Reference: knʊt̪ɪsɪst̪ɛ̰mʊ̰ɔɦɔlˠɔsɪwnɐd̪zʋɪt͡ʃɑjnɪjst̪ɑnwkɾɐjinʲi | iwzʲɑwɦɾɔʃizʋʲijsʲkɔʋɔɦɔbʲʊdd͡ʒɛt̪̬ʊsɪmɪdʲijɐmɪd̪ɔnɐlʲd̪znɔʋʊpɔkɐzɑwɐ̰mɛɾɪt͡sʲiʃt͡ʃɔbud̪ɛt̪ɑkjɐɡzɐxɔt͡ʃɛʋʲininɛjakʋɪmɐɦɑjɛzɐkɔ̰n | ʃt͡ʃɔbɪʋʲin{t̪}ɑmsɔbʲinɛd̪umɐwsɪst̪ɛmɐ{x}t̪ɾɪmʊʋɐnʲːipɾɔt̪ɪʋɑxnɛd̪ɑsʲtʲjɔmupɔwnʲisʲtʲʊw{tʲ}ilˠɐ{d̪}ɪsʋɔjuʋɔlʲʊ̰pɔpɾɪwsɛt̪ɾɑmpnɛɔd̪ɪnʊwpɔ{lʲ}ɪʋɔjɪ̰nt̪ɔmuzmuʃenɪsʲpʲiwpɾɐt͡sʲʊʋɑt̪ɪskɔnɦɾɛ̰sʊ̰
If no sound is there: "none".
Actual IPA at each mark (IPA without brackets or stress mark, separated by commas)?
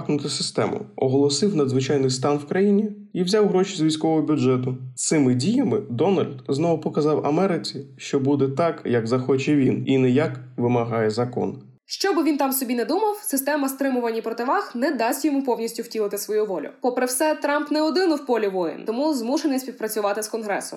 t̪, s, tʲ, t̪, lʲ